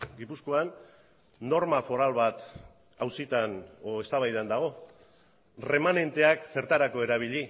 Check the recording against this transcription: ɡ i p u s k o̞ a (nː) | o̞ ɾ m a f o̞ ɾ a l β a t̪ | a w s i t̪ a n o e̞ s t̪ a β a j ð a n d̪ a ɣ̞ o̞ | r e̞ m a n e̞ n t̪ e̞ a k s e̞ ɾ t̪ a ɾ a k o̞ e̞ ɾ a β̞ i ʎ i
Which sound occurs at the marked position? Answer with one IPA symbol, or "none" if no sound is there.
nː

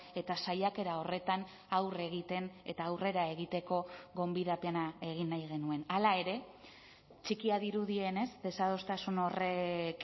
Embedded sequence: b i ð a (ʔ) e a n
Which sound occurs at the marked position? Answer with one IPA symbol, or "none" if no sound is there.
p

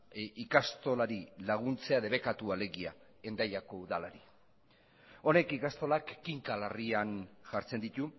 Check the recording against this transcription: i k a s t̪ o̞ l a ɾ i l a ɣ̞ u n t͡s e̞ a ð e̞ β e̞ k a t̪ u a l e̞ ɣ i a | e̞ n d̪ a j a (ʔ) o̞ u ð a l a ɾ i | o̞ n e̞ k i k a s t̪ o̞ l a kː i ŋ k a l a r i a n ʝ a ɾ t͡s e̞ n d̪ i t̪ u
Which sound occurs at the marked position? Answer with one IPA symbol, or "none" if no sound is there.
k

